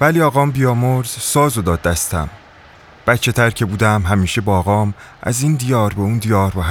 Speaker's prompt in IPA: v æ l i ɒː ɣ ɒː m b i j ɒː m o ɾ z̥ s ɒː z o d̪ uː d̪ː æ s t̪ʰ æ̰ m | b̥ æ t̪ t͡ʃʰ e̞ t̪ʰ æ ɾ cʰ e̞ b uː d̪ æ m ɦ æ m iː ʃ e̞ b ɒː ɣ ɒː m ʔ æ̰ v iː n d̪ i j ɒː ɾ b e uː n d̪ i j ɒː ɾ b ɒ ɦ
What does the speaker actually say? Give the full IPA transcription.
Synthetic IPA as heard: v æ l i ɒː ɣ ɒː m b i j ɒː m o ɾ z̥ s ɒː z o d̪ ɒː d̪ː æ s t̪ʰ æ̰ m | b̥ æ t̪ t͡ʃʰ e̞ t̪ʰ æ ɾ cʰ e̞ b uː d̪ æ m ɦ æ m iː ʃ e̞ b ɒː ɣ ɒː m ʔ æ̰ z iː n d̪ i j ɒː ɾ b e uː n d̪ i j ɒː ɾ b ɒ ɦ